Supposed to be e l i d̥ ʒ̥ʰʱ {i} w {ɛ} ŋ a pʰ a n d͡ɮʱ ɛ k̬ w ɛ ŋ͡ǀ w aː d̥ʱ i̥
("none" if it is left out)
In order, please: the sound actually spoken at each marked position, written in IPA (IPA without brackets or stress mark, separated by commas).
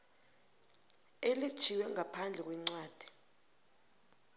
i, ɛ